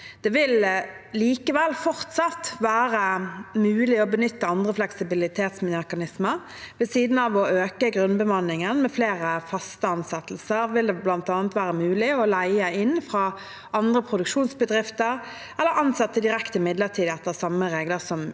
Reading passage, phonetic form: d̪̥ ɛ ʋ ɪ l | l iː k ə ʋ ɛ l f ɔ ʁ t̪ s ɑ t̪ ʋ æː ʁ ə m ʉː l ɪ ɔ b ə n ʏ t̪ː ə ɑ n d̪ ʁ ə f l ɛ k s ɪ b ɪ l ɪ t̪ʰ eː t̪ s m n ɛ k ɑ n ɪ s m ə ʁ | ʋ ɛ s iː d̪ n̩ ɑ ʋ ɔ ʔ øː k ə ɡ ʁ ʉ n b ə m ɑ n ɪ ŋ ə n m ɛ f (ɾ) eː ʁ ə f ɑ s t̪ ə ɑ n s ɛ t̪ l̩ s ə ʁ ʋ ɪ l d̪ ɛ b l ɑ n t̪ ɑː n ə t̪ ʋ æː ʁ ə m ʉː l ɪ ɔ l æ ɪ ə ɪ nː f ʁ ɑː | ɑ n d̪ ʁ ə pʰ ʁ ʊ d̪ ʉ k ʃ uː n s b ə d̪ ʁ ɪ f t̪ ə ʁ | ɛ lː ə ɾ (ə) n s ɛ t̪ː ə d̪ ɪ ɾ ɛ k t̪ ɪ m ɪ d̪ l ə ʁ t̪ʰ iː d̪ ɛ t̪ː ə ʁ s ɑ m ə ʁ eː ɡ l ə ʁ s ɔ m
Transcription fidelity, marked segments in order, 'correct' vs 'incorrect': incorrect: l, incorrect: ɑ

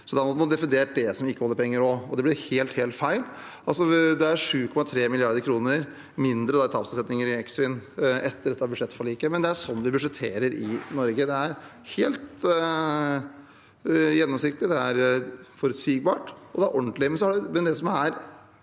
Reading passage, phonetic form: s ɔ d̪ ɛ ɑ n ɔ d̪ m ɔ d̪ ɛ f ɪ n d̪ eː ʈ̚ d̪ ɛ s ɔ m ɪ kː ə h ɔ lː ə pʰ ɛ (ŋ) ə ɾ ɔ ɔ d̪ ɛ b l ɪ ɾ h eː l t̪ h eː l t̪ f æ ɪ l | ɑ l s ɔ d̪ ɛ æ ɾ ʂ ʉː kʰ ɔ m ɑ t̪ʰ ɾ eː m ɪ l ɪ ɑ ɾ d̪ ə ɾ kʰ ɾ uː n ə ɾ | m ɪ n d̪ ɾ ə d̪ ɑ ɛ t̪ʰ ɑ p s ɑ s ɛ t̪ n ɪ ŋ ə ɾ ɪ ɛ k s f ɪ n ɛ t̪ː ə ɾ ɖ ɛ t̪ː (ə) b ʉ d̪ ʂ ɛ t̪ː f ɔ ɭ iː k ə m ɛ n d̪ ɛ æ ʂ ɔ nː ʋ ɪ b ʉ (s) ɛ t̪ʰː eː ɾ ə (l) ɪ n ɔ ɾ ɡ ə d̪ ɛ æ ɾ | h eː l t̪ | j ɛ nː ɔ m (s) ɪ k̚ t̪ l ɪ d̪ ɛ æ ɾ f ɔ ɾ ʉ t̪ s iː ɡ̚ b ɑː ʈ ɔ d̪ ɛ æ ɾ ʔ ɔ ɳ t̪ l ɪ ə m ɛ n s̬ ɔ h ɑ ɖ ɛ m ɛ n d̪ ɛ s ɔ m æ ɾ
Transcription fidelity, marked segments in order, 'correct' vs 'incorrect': incorrect: ŋː, incorrect: ɑ, incorrect: ʂ, incorrect: ɾ, correct

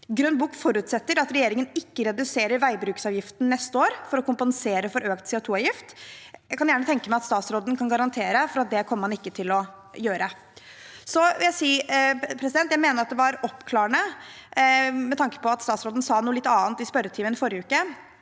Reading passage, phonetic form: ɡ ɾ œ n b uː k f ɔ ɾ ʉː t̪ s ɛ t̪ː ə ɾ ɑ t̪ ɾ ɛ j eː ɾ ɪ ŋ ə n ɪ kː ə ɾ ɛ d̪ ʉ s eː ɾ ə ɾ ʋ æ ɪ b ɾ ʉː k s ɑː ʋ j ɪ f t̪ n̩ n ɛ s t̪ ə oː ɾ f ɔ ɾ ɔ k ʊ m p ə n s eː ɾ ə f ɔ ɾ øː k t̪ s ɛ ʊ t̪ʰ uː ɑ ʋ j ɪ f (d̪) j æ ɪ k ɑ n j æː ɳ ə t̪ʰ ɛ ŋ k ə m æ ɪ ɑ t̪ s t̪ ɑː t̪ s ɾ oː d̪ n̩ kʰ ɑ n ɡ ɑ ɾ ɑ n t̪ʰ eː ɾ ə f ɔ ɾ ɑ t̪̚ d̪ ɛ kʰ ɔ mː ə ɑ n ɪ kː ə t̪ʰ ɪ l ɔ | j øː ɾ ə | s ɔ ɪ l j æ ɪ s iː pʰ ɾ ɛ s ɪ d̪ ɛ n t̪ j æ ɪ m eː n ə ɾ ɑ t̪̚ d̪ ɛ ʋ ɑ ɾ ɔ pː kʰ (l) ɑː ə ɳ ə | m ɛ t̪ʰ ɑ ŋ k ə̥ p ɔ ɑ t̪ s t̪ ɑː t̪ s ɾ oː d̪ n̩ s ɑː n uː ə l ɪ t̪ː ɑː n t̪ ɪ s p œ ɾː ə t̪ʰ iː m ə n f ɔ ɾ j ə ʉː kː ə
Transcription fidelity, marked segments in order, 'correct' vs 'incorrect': incorrect: t̪, correct

